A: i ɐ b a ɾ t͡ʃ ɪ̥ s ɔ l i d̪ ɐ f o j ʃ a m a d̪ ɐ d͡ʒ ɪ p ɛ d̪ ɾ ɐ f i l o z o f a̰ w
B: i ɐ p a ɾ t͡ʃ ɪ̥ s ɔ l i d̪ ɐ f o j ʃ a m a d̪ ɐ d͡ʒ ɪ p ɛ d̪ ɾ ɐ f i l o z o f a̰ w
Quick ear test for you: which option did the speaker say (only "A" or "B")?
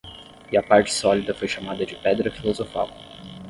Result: B